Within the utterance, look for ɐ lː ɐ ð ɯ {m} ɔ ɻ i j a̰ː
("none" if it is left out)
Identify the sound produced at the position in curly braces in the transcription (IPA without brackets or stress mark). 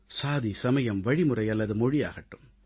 m